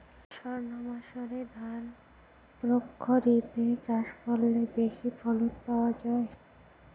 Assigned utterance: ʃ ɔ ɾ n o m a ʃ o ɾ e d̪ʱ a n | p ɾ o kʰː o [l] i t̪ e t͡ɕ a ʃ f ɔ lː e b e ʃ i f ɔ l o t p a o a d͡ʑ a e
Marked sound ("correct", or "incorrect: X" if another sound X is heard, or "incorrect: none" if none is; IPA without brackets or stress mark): incorrect: ɾ